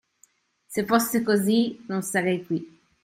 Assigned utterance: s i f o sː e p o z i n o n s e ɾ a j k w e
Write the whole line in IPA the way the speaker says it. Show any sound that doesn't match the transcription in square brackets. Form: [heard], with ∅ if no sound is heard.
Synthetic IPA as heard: s [e] f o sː e [k] o z i n o n s [a] ɾ [ɛ] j k w [i]